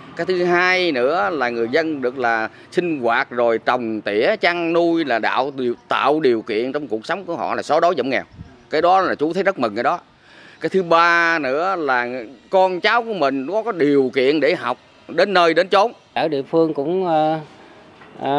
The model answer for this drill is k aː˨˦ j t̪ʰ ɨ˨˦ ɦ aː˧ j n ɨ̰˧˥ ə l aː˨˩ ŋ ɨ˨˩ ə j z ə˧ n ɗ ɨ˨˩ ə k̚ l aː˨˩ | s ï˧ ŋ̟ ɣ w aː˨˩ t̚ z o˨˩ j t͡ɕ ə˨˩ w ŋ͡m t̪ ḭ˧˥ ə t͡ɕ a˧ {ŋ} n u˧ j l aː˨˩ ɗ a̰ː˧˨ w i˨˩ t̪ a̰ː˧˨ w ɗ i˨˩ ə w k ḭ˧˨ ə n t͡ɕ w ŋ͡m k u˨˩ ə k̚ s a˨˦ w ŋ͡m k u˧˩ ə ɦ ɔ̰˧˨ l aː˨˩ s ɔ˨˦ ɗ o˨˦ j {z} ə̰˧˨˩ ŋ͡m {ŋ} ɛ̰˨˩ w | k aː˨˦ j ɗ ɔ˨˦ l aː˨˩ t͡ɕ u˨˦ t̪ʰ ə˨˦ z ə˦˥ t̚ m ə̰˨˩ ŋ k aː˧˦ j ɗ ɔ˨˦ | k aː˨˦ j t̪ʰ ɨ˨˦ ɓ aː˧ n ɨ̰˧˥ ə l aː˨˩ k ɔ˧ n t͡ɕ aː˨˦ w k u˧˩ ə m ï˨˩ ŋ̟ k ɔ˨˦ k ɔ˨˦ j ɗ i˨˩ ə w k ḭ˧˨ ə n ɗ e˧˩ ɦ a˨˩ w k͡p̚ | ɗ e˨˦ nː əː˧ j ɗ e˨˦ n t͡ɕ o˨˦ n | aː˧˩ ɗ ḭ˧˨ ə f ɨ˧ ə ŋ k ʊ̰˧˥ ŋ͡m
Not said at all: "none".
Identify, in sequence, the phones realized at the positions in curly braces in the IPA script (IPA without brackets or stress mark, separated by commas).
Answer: ŋ, z, ŋ